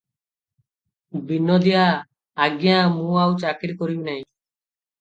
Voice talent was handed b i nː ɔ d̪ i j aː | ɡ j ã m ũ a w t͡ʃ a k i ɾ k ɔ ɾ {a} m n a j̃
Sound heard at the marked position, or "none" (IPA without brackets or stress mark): i